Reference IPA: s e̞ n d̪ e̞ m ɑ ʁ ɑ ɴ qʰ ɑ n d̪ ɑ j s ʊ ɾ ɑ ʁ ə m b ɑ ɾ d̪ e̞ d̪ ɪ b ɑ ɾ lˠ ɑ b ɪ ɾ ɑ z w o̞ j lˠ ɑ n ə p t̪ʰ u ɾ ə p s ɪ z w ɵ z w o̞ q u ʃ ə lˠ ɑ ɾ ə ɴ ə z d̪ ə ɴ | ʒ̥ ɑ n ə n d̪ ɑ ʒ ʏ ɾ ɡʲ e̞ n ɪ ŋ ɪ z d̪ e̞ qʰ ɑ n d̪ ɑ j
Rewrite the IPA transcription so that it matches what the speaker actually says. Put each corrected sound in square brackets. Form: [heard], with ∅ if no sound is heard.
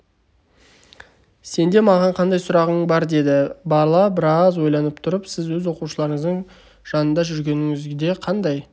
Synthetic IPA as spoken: s e̞ n d̪ e̞ m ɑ ʁ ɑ ɴ qʰ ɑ n d̪ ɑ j s ʊ ɾ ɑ ʁ ə [ɴ] b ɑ ɾ d̪ e̞ d̪ ɪ b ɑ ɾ lˠ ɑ b ɪ ɾ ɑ z w o̞ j lˠ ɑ n ə p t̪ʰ [ʊ] ɾ ə p s ɪ z w ɵ z w o̞ q u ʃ ə lˠ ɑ ɾ ə ɴ ə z d̪ ə ɴ | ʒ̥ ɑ n ə n d̪ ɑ ʒ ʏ ɾ ɡʲ e̞ n ɪ ŋ ɪ z d̪ e̞ qʰ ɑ n d̪ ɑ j